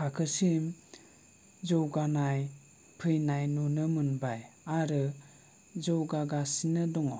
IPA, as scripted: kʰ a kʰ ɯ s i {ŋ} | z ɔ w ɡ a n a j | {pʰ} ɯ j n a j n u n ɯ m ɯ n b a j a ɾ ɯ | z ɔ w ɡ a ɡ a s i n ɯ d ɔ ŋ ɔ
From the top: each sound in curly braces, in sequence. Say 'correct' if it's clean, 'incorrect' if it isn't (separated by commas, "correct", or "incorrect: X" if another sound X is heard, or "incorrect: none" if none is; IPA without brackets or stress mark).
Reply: incorrect: m, correct